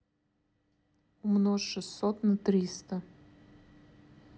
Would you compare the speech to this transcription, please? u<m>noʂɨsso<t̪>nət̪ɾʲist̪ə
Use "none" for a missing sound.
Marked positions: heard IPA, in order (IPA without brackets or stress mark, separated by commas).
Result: m, t̪